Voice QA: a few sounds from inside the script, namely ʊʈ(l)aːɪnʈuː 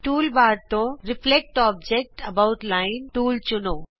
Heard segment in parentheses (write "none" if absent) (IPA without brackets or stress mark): l